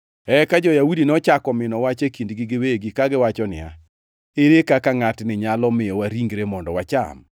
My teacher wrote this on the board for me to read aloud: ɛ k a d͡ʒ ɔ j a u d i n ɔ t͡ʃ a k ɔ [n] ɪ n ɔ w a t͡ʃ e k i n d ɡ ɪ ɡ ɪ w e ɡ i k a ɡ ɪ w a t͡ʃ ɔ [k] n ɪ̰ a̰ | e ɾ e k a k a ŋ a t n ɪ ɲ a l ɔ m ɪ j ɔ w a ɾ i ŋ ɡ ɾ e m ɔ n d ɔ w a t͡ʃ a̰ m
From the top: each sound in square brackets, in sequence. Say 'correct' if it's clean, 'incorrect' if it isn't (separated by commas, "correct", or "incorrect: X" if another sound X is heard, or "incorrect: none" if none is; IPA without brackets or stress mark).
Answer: incorrect: m, incorrect: none